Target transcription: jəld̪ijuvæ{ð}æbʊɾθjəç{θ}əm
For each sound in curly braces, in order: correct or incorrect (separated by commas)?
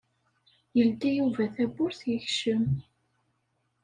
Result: incorrect, incorrect